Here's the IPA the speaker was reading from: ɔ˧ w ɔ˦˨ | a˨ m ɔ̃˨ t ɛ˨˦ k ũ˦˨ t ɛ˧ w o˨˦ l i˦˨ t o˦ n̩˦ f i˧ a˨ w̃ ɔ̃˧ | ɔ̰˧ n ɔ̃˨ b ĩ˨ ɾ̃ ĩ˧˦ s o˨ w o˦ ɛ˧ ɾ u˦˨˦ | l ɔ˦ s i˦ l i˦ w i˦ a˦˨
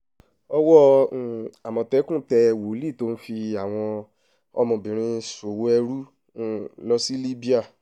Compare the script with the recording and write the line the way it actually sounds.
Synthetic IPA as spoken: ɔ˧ w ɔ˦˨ | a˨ m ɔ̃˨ t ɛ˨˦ k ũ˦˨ t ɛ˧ w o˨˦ l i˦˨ t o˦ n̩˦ f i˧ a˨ w̃ ɔ̃˧ | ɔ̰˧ m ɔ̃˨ b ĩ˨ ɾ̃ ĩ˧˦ s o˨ w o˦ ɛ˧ ɾ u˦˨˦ | l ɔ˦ s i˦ l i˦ b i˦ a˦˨

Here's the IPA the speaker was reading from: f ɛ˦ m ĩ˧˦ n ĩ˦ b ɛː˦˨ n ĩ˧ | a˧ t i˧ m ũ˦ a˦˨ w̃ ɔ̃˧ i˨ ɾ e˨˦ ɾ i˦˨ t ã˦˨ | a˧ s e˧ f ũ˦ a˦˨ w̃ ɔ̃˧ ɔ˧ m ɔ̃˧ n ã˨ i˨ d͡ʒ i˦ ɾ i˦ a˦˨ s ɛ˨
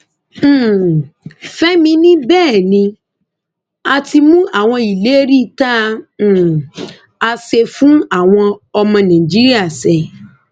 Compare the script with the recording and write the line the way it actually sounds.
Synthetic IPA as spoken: f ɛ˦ m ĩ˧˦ n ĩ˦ b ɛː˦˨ n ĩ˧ | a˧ t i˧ m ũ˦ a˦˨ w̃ ɔ̃˧ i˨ l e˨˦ ɾ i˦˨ t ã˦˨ | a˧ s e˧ f ũ˦ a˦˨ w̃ ɔ̃˧ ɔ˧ m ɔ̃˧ n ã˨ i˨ d͡ʒ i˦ ɾ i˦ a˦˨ s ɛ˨

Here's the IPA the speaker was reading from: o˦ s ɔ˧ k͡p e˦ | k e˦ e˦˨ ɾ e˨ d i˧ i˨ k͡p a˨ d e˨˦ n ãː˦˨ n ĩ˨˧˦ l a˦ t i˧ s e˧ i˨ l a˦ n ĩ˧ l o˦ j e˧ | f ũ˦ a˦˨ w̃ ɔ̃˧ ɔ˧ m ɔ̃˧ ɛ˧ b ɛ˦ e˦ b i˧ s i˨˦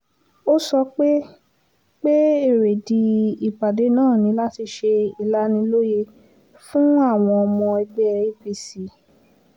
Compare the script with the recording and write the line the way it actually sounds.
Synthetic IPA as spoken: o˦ s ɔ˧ k͡p e˦ | k͡p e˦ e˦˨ ɾ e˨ d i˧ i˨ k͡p a˨ d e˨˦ n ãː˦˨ n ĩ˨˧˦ l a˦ t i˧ ʃ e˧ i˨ l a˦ n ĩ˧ l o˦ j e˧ | f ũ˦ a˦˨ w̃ ɔ̃˧ ɔ˧ m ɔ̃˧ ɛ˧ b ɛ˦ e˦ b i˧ s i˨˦

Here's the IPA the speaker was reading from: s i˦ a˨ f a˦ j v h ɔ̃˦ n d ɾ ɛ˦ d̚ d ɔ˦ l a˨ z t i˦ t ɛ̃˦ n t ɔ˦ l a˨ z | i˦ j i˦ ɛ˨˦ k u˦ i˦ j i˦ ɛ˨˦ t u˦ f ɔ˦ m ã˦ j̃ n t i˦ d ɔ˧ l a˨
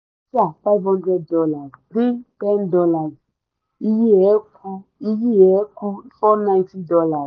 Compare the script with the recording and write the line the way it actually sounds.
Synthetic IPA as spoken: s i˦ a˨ f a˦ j v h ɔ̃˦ n d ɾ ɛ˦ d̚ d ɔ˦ l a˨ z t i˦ t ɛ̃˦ n d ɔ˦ l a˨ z | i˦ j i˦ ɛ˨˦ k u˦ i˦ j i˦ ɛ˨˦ k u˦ f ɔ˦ n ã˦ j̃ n t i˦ d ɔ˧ l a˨

